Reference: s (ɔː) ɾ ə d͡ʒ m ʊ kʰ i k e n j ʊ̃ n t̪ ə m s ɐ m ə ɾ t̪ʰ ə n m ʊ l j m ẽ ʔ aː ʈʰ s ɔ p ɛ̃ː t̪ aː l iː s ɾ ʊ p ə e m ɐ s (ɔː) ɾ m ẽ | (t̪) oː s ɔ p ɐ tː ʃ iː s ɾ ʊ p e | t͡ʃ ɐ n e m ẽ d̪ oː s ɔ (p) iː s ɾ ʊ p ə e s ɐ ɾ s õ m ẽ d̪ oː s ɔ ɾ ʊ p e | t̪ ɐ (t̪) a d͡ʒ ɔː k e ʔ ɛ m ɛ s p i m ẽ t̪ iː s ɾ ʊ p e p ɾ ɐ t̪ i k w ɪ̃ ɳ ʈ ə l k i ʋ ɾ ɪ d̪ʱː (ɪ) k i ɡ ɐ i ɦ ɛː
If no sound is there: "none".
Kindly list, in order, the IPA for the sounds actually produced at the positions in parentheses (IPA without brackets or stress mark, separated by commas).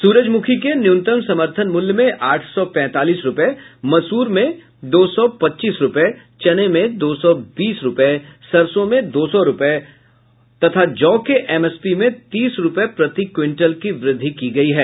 uː, uː, d̪, b, t̪ʰ, i